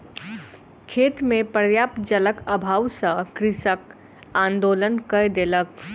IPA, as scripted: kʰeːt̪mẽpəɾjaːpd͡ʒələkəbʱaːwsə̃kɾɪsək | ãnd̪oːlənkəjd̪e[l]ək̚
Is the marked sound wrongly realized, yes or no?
no